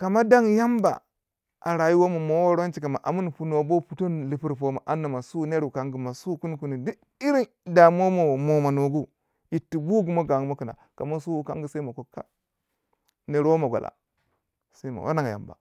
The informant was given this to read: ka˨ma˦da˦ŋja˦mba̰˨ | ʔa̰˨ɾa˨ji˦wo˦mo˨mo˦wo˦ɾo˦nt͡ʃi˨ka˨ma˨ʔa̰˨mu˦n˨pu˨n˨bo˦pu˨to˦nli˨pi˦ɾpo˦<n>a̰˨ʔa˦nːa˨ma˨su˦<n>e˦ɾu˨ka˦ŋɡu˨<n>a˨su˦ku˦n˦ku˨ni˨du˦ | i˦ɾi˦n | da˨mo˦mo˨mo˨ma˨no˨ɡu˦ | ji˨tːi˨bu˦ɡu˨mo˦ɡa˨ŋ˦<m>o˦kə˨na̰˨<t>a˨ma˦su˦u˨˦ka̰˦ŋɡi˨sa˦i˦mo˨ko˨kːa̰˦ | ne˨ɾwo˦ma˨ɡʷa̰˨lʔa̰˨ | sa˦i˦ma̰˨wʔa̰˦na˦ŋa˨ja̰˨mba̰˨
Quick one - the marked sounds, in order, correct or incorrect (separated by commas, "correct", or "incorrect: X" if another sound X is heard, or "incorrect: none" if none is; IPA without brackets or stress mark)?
incorrect: m, correct, incorrect: m, correct, incorrect: k